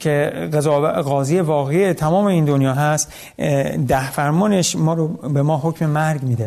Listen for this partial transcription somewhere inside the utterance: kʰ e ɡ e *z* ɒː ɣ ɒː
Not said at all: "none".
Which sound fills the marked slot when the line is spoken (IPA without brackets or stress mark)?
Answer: z